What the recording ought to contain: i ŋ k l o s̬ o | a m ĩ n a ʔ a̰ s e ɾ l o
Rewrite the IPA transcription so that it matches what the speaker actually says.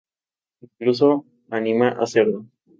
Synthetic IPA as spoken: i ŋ k l u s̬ o | a n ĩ m a ʔ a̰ s e ɾ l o